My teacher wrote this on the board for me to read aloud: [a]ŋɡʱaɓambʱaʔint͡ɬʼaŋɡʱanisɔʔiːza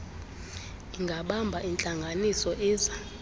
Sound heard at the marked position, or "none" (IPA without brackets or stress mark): i